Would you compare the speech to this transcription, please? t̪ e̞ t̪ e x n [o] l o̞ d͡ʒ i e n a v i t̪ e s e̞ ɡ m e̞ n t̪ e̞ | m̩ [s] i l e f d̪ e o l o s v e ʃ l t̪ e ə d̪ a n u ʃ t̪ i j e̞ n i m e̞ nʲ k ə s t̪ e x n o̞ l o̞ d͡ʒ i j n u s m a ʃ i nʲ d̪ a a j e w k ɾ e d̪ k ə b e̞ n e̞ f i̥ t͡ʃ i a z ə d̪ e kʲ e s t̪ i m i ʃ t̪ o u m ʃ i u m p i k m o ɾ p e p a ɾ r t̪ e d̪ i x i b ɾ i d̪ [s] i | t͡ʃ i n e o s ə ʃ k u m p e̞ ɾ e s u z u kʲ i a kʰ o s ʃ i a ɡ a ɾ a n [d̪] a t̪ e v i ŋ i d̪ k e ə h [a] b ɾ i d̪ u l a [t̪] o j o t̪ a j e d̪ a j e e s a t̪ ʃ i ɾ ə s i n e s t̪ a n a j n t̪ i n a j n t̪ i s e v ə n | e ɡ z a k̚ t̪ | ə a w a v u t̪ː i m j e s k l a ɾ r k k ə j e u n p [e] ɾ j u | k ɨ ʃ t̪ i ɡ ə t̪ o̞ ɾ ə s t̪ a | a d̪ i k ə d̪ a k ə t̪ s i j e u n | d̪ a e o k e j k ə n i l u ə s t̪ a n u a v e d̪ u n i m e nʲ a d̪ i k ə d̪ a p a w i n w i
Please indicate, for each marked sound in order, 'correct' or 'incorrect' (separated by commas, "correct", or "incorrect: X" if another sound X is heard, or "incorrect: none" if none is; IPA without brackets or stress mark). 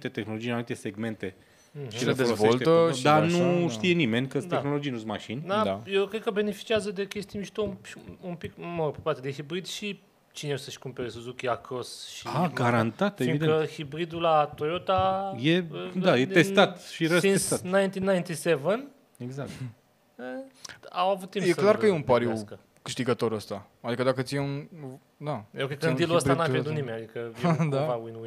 correct, incorrect: ʃ, incorrect: ʃ, incorrect: t̪, incorrect: i, correct, incorrect: a